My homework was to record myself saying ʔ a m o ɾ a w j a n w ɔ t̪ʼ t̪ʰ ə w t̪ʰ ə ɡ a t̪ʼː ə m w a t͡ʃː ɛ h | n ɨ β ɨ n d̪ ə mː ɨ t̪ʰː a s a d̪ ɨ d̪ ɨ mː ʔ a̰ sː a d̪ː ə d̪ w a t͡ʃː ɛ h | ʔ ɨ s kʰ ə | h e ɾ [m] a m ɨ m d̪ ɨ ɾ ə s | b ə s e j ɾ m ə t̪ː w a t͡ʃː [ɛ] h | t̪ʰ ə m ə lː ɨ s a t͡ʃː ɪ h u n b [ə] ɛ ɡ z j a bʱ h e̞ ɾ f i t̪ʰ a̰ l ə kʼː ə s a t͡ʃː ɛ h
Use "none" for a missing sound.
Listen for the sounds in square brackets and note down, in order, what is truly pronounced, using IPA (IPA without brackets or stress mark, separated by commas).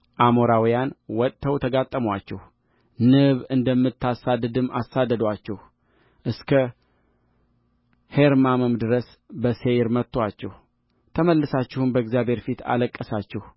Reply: m, ɛ, ə